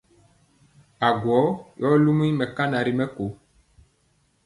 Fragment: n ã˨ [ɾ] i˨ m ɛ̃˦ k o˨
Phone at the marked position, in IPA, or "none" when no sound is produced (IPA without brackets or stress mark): ɾ